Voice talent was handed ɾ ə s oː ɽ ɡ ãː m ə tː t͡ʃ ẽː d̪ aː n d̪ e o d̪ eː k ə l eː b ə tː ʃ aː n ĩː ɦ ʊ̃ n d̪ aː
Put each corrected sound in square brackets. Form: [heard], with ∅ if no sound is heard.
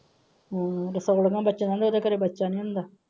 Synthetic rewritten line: ɾ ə s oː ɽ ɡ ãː [b] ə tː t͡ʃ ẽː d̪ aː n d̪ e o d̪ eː k ə [ɾ] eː b ə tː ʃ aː n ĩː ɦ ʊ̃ n d̪ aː